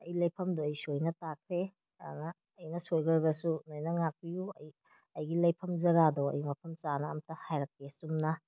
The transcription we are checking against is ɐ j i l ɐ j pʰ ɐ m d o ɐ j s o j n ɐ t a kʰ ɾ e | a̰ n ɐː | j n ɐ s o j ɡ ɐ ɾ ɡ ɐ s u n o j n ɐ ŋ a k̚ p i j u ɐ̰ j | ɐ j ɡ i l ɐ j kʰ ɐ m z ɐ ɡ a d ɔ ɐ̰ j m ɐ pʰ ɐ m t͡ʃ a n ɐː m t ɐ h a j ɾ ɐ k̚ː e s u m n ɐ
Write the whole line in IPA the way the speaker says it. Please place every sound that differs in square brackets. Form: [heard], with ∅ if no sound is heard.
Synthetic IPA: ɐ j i l ɐ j pʰ ɐ m d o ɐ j s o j n ɐ t a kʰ ɾ e | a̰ n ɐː | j n ɐ s o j ɡ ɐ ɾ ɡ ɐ s u n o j n ɐ ŋ a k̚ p i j u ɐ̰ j | ɐ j ɡ i l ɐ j [pʰ] ɐ m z ɐ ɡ a d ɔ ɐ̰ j m ɐ pʰ ɐ m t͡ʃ a n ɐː m t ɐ h a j ɾ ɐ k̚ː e s u m n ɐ